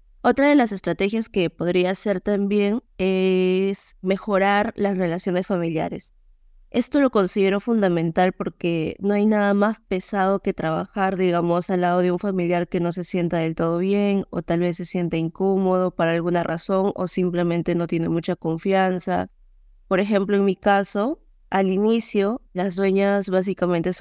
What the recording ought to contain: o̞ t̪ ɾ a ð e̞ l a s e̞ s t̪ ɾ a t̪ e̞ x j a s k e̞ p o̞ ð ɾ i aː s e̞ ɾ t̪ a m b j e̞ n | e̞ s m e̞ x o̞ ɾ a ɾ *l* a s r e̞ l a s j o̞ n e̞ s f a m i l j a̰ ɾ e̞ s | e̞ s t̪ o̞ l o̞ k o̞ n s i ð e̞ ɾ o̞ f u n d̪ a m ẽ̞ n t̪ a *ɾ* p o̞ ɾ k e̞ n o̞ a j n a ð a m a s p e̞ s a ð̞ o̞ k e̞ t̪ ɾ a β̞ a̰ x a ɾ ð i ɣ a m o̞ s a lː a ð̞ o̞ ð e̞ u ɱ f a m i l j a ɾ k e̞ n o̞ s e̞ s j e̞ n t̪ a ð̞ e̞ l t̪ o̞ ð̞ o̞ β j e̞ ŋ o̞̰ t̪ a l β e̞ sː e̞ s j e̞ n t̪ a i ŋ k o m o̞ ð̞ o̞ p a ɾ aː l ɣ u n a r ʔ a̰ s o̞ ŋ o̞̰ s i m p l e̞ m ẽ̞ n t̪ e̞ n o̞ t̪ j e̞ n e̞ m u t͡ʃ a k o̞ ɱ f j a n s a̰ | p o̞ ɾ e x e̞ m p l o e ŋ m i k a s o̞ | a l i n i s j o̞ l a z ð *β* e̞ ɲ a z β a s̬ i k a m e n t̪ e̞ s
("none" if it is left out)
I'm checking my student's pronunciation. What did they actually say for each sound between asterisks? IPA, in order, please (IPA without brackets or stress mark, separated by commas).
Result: l, l, w